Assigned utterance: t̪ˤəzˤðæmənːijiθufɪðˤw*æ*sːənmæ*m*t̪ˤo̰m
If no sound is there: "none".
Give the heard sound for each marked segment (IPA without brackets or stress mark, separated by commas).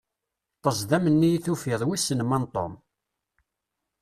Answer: i, n